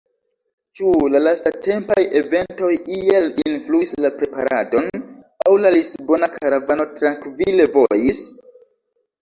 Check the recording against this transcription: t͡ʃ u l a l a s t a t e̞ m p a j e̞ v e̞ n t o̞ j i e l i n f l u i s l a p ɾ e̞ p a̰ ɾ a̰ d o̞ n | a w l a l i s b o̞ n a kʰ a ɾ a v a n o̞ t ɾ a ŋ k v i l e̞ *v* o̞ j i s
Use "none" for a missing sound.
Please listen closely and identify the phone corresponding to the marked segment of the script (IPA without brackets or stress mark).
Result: v